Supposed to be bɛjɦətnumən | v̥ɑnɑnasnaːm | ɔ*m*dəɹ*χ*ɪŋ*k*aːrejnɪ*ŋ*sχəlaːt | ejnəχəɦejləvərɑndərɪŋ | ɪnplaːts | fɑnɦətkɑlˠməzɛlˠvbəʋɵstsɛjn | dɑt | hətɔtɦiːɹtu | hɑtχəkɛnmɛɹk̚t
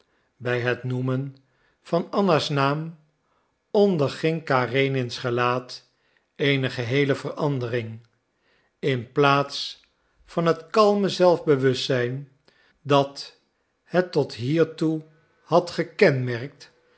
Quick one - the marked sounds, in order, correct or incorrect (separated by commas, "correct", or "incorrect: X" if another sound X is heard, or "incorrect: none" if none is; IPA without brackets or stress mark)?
incorrect: n, correct, correct, incorrect: n